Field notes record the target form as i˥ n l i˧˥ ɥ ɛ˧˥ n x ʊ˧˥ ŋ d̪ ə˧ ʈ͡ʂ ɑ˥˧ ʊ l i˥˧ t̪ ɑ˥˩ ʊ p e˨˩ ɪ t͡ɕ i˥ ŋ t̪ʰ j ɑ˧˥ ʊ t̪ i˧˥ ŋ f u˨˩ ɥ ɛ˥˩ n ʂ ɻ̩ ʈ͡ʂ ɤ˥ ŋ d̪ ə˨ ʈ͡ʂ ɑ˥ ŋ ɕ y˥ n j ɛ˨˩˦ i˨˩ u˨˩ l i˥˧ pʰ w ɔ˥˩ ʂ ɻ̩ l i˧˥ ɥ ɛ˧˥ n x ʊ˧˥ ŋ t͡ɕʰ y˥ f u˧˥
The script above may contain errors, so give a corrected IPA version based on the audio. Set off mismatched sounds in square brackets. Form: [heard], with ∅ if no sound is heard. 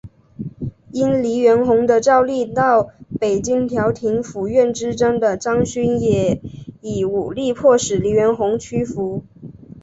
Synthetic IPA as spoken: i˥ n l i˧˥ ɥ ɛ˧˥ n x ʊ˧˥ ŋ d̪ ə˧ ʈ͡ʂ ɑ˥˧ ʊ l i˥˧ t̪ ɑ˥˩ ʊ p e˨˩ ɪ t͡ɕ i˥ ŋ t̪ʰ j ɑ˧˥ ʊ [t̪ʰ] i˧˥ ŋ f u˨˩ ɥ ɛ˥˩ n [ʈ͡ʂ] ɻ̩ ʈ͡ʂ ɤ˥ ŋ d̪ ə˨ ʈ͡ʂ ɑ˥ ŋ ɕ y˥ n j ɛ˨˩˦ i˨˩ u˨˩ l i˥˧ pʰ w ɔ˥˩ ʂ ɻ̩ l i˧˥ ɥ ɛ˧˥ n x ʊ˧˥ ŋ t͡ɕʰ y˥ f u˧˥